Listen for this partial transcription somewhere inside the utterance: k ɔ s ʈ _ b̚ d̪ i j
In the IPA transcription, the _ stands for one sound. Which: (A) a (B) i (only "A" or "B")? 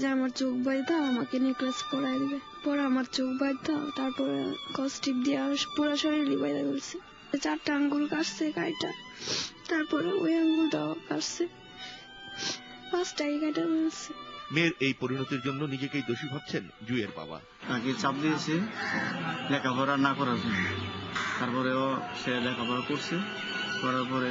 B